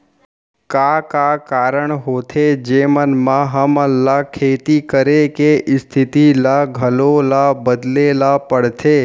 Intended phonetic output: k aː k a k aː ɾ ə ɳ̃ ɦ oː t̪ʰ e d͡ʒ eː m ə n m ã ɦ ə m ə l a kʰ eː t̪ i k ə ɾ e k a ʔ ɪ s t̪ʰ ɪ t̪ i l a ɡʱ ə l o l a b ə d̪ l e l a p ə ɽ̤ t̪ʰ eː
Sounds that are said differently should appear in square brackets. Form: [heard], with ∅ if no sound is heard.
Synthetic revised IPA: k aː k a k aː ɾ ə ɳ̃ ɦ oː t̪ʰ e d͡ʒ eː m ə n m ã ɦ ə m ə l a kʰ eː t̪ i k ə ɾ e k [e] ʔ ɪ s t̪ʰ ɪ t̪ i l a ɡʱ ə l o l a b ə d̪ l e l a p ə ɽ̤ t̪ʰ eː